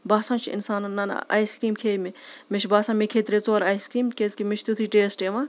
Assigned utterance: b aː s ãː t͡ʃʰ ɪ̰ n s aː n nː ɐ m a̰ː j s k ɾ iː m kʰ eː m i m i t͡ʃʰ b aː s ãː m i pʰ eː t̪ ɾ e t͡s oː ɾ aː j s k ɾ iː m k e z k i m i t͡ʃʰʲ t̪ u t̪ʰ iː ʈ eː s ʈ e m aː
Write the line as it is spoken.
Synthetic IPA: b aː s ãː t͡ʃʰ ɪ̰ n s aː n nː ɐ n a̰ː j s k ɾ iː m kʰ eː m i m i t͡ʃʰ b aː s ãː m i kʰ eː t̪ ɾ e t͡s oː ɾ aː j s k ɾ iː m k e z k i m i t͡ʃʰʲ t̪ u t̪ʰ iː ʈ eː s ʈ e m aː